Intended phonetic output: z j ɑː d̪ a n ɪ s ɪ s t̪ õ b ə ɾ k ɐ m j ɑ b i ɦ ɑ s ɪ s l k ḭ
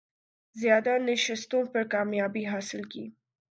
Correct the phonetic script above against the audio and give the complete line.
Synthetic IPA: z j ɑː d̪ a n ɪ ʃ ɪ s t̪ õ p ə ɾ k ɑ m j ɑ b i ɦ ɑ s ɪ l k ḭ